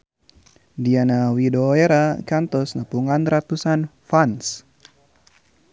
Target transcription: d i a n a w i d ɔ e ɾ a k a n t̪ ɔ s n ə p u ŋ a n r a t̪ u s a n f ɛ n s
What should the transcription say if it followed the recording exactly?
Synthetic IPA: d i a n a w i d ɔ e ɾ a k a n t̪ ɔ s n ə p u ŋ a n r a t̪ u s a n f a n s